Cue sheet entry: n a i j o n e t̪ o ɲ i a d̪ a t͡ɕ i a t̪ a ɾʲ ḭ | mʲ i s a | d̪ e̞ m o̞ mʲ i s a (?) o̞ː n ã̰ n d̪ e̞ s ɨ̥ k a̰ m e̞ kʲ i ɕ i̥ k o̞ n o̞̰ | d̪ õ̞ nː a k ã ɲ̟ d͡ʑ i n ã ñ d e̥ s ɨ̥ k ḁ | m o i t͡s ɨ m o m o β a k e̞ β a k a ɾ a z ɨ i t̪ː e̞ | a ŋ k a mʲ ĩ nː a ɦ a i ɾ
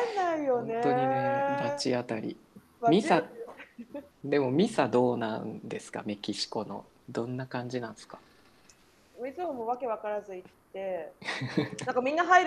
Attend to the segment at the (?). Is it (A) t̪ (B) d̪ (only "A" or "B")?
B